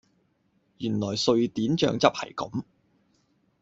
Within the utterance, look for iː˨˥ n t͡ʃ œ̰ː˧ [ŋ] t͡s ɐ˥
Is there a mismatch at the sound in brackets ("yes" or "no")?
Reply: no